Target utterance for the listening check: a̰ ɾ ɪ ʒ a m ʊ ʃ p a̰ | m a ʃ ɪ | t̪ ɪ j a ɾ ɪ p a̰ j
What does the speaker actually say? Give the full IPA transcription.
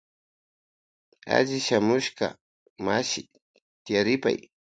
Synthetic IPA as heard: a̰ ʎ ɪ ʃ a m ʊ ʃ k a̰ | m a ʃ ɪ | t̪ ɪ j a ɾ ɪ p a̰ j